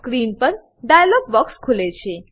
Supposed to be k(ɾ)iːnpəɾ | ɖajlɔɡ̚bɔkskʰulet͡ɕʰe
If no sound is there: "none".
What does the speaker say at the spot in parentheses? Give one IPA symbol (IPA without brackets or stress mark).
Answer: ɾ